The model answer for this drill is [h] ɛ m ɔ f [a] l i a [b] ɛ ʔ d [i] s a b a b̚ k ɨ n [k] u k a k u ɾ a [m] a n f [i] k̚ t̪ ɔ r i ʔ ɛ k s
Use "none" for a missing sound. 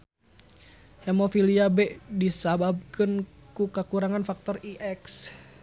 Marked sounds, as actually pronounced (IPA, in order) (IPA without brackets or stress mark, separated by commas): h, i, b, i, k, ŋ, a